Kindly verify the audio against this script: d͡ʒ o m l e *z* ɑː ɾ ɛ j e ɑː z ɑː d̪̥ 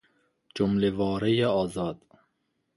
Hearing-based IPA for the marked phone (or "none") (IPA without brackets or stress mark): v